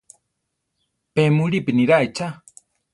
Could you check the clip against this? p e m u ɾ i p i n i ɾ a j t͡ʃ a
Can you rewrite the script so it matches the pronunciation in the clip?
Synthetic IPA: p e m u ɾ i p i n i ɾ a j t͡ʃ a